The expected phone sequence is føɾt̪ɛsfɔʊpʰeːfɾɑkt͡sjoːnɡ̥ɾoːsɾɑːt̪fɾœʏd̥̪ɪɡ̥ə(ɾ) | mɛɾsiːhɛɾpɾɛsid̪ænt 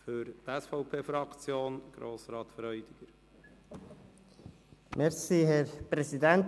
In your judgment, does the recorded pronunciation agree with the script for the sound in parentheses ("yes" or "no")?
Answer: yes